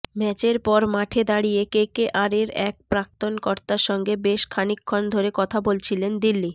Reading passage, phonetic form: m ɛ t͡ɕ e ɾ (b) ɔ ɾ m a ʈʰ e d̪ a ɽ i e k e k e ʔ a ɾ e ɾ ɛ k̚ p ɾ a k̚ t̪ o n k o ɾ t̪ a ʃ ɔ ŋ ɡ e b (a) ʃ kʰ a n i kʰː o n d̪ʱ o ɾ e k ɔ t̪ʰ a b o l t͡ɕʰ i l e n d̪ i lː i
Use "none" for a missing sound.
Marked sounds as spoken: p, e

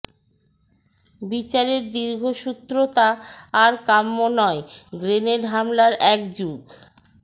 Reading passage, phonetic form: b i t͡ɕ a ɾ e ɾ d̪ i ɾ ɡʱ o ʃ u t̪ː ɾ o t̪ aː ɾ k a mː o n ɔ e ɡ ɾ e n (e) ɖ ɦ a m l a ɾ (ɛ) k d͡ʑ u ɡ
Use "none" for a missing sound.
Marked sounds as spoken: e, ɛ

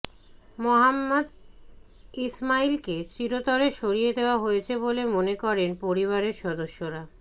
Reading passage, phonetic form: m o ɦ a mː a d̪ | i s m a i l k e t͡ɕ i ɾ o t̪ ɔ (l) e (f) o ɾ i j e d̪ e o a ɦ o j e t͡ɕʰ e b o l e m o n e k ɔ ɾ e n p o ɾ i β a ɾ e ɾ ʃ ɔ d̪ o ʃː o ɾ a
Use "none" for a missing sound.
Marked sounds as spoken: ɾ, ʃ

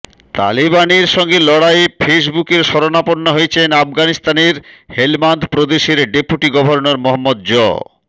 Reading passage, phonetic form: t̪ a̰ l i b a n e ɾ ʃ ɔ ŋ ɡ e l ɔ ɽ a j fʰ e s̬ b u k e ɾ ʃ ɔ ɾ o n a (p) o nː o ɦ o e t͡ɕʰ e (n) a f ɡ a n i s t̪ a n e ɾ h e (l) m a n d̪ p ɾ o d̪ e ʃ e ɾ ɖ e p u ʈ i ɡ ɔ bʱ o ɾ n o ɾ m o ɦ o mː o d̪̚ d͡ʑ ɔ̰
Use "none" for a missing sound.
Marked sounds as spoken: p, n, l

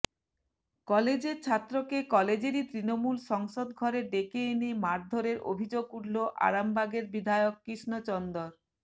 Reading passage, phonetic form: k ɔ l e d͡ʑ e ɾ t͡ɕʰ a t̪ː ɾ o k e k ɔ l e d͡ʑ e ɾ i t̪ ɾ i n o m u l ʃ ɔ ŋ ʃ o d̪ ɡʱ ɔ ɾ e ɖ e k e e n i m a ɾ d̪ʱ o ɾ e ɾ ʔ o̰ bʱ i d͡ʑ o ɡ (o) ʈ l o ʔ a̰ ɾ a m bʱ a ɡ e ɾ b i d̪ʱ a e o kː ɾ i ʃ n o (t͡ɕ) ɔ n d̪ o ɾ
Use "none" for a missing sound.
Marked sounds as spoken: u, t͡ɕ

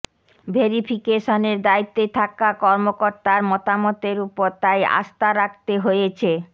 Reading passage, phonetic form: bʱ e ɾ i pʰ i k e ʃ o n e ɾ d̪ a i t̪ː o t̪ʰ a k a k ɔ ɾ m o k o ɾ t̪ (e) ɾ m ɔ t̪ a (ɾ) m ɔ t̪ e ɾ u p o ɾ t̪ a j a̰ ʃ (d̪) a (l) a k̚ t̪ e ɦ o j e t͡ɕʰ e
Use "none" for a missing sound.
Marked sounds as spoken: a, none, t̪, ɾ

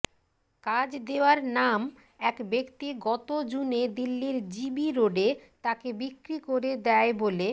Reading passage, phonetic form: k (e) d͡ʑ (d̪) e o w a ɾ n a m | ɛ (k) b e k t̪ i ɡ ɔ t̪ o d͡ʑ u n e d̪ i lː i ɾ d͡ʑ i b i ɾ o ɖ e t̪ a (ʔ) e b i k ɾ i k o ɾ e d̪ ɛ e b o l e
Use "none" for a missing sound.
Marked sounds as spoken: a, d̪, k, k

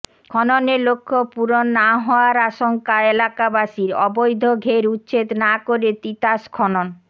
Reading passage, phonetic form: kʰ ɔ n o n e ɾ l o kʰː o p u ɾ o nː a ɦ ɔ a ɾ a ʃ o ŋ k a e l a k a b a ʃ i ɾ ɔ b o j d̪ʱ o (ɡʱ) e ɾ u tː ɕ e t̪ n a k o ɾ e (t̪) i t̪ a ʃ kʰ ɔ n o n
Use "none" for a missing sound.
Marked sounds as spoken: ɡʱ, t̪

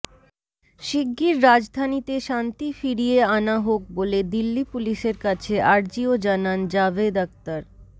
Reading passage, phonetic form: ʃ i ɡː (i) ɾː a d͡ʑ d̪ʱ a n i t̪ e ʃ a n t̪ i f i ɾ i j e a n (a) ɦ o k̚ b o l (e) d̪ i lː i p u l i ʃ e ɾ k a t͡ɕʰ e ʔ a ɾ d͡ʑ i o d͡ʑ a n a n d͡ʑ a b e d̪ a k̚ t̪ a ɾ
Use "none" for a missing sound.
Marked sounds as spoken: i, a, e

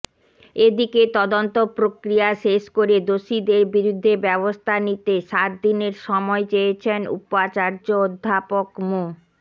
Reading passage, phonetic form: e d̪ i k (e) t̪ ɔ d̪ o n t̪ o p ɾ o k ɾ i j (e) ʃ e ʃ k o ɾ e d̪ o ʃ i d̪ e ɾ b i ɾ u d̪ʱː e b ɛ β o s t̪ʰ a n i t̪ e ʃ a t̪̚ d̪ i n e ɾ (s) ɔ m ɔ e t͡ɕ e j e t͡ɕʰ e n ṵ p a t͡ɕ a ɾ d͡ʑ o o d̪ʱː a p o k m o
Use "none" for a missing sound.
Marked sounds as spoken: e, a, ʃ

